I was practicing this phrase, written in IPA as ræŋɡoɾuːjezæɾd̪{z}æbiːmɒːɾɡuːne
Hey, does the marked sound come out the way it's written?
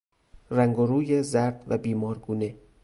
no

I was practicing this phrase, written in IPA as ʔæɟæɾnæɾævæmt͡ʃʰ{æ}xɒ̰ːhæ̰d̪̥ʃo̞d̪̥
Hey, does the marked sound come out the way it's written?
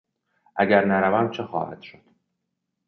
no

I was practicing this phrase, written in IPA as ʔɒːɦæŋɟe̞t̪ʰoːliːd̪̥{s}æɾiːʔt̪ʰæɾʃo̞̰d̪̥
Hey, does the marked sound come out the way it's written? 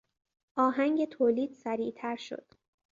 yes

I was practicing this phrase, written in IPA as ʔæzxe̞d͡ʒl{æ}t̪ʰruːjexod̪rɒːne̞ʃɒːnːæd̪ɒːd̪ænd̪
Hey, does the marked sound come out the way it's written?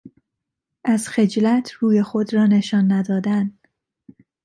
yes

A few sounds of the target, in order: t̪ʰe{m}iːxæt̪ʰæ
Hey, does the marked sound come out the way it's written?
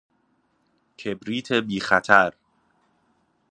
no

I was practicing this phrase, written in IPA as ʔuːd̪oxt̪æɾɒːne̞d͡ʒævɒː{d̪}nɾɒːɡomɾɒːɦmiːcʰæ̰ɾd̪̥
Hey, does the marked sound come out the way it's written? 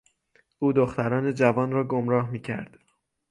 no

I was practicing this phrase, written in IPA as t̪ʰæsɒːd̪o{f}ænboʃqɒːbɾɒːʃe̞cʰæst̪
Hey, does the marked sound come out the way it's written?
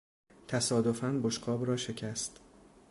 yes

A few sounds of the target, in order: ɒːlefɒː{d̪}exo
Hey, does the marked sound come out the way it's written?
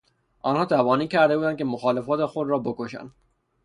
no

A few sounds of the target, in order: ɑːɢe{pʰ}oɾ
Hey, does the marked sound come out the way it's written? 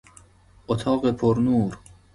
yes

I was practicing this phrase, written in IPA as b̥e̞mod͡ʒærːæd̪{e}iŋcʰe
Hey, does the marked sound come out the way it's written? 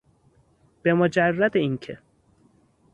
yes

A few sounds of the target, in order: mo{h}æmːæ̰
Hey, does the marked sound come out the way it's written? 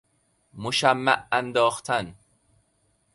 no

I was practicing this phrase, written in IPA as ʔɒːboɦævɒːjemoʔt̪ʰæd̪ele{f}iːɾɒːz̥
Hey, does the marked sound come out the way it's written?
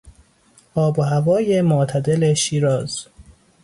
no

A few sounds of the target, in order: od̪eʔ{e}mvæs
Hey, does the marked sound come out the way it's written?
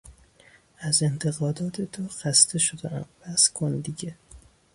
no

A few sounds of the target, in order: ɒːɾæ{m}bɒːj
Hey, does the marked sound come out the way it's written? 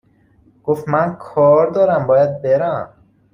yes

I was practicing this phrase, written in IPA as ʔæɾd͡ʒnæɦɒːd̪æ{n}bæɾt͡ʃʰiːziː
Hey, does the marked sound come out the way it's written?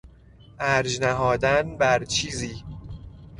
yes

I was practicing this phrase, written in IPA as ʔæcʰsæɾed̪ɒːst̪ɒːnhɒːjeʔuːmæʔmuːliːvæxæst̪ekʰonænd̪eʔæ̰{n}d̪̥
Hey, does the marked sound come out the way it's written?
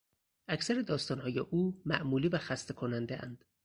yes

